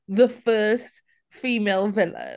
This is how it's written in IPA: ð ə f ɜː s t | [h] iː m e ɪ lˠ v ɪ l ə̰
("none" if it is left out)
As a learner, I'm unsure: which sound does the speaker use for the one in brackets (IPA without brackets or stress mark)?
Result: f